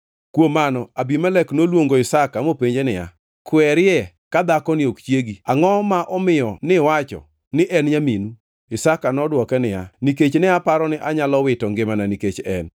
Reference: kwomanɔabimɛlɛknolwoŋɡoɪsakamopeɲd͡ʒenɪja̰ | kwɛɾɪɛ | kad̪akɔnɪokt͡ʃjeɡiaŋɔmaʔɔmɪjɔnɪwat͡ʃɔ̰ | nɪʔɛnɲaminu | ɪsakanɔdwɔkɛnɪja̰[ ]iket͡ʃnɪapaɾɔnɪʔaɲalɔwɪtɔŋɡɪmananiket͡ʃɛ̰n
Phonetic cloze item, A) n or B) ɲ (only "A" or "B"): A